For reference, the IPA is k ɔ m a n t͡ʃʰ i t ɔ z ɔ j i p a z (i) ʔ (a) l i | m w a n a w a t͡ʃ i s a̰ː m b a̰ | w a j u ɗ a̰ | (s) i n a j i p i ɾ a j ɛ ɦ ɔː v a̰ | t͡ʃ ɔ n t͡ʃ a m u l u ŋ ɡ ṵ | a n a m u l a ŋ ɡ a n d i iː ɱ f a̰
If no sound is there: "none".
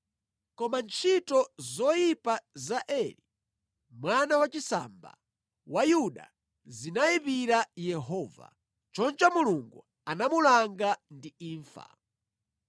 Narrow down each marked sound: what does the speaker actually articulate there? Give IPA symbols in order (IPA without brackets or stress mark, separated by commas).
a, ɛ, z